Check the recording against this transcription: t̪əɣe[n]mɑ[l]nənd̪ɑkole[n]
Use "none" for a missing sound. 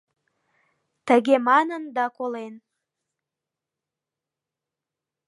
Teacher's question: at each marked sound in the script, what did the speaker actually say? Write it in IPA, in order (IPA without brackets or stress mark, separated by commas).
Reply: none, none, n